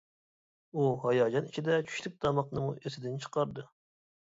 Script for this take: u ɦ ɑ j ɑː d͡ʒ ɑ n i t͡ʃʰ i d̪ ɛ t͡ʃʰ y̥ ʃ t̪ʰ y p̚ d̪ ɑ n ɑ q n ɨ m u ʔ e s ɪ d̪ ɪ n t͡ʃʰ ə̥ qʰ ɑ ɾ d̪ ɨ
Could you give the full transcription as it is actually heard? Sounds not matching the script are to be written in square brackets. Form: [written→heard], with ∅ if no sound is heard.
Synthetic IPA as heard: u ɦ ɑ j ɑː d͡ʒ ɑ n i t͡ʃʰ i d̪ ɛ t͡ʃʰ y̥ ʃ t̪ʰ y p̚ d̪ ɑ [n→m] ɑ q n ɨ m u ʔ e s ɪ d̪ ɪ n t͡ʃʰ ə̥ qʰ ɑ ɾ d̪ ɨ